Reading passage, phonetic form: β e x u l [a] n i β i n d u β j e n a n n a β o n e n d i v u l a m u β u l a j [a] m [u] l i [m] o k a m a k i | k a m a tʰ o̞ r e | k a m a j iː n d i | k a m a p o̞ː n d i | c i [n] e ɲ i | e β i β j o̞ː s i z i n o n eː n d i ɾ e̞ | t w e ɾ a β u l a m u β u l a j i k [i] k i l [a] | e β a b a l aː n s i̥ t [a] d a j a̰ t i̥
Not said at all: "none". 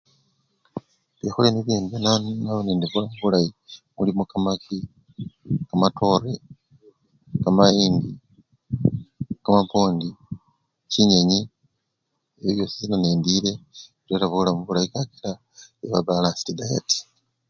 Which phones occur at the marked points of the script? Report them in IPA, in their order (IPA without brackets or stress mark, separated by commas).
e, i, u, m, ɲ, a, a, i